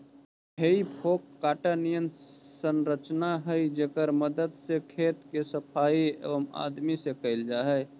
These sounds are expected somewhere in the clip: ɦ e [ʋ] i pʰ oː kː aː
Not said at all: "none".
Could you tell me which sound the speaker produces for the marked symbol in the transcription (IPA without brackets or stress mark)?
none